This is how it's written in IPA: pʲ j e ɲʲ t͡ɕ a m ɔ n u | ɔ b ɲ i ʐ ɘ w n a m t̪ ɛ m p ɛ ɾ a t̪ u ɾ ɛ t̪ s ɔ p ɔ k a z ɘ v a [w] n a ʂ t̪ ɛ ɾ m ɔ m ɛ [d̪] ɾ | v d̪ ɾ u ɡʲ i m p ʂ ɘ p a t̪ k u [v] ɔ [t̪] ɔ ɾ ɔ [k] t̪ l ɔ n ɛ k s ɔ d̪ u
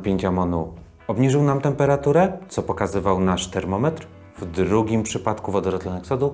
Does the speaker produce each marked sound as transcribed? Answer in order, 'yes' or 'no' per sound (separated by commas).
yes, no, yes, no, no